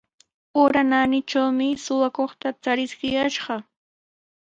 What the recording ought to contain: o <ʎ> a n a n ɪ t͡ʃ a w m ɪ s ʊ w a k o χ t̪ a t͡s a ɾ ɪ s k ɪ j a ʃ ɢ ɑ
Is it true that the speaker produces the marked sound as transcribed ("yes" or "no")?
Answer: no